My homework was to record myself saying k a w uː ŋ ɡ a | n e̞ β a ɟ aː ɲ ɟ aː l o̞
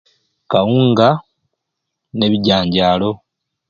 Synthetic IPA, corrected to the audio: k a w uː ŋ ɡ a | n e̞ β i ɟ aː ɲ ɟ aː l o̞

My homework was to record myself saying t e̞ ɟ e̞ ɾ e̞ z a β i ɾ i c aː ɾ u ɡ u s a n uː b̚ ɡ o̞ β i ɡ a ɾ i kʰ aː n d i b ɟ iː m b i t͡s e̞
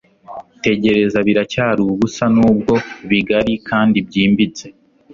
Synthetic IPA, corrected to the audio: t e̞ ɟ e̞ ɾ e̞ z a β i ɾ a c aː ɾ u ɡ u s a n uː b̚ ɡ o̞ β i ɡ a ɾ i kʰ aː n d i b ɟ iː m b i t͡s e̞

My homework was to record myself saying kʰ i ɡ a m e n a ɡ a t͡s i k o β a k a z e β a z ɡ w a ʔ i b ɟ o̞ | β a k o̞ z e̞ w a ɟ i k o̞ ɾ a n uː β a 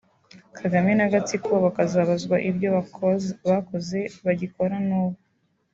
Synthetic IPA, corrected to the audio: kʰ a ɡ a m e n a ɡ a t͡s i k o β a k a z a β a z ɡ w a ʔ i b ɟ o̞ | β a k o̞ z e̞ β a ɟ i k o̞ ɾ a n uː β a

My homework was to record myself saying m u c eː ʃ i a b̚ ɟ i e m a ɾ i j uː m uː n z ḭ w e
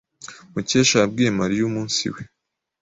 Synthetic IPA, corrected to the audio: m u c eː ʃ a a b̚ ɡ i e m a ɾ i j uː m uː n s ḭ w e

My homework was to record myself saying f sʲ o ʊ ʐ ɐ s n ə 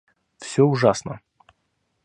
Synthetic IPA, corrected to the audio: f sʲ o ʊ ʐ a s n ə

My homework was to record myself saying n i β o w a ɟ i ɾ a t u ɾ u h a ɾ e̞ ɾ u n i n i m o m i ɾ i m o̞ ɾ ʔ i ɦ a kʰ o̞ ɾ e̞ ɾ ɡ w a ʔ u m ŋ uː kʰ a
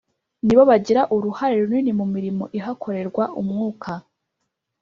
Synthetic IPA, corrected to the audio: n i β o β a ɟ i ɾ a ʔ u ɾ u h a ɾ e̞ ɾ u n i n i m u m i ɾ i m o̞ ʔ i ɦ a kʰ o̞ ɾ e̞ ɾ ɡ w a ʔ u m ŋ uː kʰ a

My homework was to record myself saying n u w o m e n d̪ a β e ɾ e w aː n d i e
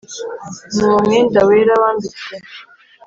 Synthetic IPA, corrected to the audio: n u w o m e n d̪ a w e ɾ a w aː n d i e

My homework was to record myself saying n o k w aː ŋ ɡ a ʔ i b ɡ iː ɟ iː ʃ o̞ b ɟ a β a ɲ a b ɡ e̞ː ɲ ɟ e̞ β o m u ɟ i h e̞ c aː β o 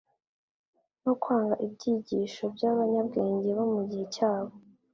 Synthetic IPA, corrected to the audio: n o k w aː ŋ ɡ a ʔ i b ɟ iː ɟ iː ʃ o̞ b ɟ a β a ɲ a b ɡ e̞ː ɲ ɟ e̞ β o m u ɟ i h e̞ c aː β o

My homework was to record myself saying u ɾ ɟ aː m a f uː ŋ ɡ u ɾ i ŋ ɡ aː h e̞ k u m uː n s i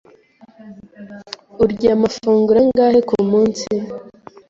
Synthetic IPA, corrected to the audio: u ɾ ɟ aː m a f uː ŋ ɡ u ɾ a ŋ ɡ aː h e̞ k u m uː n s i

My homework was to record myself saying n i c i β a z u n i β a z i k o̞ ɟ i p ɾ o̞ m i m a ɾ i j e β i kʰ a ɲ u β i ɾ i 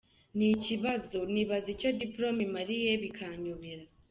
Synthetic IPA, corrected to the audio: n i c i β a z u n i β a z i c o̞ d i p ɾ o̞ m i m a ɾ i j e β i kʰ a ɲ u β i ɾ a

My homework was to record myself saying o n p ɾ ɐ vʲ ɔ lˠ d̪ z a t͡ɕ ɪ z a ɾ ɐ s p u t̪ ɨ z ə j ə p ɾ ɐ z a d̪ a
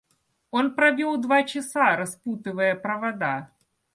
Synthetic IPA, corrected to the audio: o n p ɾ ɐ vʲ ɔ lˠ d̪ v a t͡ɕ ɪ s a ɾ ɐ s p u t̪ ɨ v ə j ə p ɾ ɐ v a d̪ a

